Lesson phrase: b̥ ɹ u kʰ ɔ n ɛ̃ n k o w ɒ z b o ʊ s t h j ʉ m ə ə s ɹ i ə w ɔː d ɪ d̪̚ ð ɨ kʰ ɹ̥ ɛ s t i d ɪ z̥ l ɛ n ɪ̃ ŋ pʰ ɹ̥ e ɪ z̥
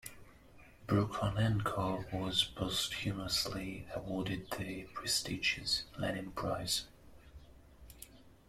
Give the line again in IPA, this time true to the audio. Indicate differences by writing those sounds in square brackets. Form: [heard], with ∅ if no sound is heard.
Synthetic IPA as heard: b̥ ɹ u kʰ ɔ n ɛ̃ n [kʰ] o w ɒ z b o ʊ s t h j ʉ m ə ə s [l] i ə w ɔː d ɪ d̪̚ ð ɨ [pʰ] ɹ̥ ɛ s t i [d͡ʒ] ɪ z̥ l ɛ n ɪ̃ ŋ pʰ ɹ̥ [a] ɪ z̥